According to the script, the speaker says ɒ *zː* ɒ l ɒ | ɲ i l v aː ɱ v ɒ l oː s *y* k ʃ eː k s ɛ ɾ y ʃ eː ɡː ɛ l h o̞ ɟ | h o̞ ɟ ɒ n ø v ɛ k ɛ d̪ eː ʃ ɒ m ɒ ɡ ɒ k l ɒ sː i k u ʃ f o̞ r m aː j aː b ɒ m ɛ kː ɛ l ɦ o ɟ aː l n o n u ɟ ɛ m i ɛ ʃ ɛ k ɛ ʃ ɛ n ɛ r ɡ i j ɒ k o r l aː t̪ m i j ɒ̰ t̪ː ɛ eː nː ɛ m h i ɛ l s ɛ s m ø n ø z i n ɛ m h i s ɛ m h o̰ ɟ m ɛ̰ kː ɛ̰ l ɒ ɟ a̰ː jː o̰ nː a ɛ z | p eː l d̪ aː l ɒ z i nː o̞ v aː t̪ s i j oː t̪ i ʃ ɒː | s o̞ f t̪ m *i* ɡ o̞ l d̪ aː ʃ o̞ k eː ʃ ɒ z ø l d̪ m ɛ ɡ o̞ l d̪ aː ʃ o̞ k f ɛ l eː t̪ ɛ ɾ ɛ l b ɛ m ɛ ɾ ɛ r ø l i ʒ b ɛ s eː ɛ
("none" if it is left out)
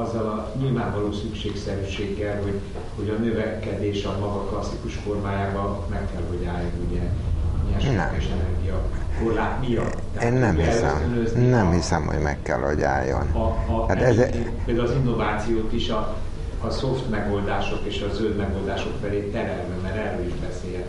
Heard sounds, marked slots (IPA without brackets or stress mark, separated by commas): zː, y, ɛ